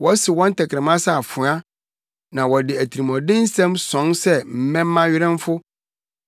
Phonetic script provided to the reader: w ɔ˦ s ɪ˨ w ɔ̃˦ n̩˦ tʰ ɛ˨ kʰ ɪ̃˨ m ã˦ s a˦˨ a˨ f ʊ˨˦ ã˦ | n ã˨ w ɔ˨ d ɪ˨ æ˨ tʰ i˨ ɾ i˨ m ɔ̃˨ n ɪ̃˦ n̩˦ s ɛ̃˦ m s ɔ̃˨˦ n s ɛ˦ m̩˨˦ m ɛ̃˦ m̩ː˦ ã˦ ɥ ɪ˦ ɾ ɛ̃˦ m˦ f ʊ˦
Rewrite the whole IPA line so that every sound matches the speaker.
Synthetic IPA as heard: w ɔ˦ s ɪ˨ w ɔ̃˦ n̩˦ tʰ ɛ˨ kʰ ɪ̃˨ m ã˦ s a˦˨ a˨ f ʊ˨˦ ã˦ | n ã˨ w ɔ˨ d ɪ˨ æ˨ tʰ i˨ ɾ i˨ m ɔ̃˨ d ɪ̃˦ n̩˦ s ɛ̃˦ m s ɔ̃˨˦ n s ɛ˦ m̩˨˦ m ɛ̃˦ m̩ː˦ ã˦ ɥ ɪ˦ ɾ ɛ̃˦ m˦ f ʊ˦